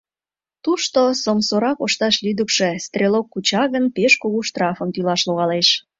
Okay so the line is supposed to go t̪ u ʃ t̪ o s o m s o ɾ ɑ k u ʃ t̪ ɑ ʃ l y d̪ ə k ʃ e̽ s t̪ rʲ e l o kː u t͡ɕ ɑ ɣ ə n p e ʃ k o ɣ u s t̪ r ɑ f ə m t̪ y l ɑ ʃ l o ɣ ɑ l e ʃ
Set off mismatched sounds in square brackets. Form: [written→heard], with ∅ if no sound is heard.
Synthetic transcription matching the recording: t̪ u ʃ t̪ o s o m s o ɾ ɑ k [u→o] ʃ t̪ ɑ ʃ l y d̪ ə k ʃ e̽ s t̪ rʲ e l o kː u t͡ɕ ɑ ɣ ə n p e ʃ k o ɣ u [s→ʃ] t̪ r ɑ f ə m t̪ y l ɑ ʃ l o ɣ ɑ l e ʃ